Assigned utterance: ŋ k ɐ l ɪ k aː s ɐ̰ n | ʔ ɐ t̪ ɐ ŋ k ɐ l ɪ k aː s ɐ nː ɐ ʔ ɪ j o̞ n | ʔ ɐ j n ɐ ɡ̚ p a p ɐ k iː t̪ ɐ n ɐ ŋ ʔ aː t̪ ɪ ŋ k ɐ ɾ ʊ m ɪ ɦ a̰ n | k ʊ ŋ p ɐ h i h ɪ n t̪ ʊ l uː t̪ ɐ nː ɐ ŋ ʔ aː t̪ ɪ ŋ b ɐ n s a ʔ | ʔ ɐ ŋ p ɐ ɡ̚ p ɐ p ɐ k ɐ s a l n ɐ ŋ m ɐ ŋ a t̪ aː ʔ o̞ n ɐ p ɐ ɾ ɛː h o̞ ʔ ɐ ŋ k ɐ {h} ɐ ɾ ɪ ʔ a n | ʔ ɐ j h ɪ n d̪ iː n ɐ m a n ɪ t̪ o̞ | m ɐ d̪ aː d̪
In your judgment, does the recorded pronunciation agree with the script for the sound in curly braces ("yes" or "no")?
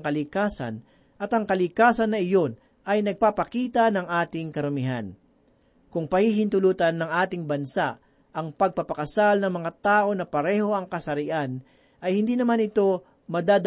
no